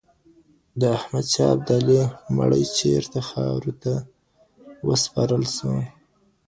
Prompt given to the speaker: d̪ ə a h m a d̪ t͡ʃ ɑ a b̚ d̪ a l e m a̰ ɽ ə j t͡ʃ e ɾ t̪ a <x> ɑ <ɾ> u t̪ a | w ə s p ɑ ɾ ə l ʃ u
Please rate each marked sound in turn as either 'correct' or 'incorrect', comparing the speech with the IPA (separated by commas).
correct, correct